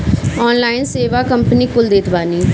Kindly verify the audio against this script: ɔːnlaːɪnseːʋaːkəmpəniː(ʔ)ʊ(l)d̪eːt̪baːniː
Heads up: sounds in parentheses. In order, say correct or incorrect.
incorrect: k, correct

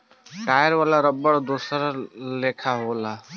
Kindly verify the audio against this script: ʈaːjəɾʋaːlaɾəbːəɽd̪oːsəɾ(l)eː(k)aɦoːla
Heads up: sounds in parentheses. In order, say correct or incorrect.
correct, incorrect: kʰ

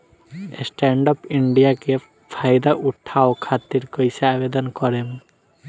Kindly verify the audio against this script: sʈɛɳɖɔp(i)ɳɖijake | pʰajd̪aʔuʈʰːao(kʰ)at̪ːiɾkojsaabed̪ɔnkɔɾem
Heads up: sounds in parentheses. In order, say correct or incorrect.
correct, correct

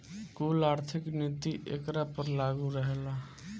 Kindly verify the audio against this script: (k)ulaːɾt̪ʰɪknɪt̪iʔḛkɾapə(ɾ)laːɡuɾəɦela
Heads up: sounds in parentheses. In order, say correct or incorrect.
correct, correct

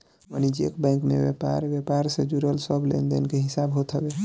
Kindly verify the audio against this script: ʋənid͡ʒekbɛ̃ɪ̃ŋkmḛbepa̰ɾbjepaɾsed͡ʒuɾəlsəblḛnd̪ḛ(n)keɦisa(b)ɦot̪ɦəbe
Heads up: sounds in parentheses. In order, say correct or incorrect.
correct, correct

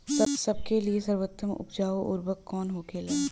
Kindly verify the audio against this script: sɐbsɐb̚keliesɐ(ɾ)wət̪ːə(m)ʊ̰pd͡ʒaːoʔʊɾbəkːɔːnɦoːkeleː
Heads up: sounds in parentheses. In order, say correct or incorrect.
correct, correct

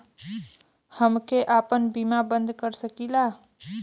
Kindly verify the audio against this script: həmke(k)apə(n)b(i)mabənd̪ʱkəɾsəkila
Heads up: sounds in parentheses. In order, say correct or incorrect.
incorrect: ʔ, correct, correct

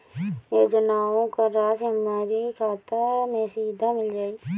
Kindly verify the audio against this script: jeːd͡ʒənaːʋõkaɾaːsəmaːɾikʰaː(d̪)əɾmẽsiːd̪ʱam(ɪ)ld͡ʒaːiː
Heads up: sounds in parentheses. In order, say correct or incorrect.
incorrect: t̪, correct

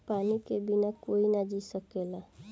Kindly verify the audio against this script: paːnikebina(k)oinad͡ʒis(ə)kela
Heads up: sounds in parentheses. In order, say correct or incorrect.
correct, correct

